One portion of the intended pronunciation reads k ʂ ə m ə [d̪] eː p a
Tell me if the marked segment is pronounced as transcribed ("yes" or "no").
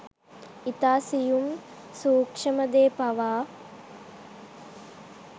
yes